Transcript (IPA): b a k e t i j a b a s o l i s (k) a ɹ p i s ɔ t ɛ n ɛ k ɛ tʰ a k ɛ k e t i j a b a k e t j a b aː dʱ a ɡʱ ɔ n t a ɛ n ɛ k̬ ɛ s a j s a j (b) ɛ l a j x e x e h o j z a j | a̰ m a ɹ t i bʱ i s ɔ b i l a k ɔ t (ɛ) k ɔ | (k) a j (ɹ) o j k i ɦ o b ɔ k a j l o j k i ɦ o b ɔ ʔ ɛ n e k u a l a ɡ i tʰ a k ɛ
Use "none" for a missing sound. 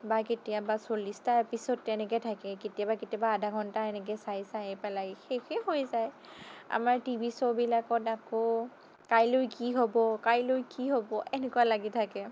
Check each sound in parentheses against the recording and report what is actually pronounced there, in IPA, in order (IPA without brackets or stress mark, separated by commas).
t, p, a, k, l